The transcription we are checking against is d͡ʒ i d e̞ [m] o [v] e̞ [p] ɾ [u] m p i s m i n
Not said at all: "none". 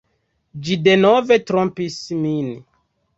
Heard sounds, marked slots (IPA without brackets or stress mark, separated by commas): n, v, t, o